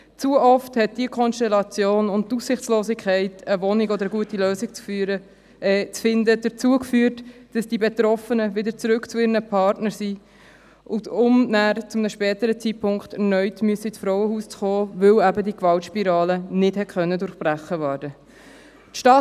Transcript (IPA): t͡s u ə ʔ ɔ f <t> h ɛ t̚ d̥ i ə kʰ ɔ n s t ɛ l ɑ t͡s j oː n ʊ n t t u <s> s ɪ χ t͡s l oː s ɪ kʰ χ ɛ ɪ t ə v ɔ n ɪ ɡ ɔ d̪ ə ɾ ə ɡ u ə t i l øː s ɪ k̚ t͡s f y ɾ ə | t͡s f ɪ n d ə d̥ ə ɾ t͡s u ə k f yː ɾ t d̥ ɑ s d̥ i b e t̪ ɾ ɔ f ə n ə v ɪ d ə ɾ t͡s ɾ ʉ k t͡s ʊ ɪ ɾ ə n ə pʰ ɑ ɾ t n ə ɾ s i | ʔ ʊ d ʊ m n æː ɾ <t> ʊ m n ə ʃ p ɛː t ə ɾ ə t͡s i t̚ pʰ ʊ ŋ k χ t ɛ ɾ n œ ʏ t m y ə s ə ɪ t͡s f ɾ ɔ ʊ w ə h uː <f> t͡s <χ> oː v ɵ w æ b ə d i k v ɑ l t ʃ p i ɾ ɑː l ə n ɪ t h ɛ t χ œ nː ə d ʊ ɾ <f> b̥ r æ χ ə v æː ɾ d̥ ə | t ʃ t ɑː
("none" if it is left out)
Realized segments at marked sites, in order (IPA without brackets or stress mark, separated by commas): t, s, t͡s, s, χ, χ